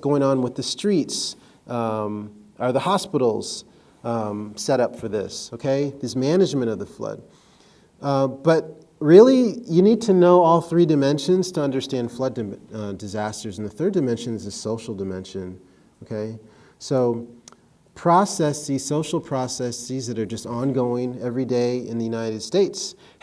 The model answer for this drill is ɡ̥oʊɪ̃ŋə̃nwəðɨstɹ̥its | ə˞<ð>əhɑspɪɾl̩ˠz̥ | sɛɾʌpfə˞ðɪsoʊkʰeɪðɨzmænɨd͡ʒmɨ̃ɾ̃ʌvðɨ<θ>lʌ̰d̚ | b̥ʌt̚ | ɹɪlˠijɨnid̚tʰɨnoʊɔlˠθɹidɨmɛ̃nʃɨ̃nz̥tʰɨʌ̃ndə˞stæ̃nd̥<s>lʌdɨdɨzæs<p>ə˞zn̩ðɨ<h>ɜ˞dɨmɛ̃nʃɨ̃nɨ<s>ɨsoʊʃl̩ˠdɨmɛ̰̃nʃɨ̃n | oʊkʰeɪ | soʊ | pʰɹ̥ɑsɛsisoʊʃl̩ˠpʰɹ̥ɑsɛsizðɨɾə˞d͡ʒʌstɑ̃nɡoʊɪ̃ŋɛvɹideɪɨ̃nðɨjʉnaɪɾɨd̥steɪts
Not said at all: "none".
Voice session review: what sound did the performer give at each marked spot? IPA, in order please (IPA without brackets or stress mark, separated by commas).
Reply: ð, f, f, t, θ, z